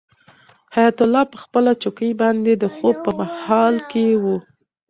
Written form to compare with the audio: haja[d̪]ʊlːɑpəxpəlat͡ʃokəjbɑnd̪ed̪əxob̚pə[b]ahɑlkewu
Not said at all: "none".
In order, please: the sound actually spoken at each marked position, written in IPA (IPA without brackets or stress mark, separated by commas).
t̪, m